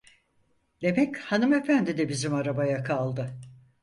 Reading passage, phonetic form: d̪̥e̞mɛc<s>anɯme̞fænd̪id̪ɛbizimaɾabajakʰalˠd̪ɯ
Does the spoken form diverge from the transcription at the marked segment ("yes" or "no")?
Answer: yes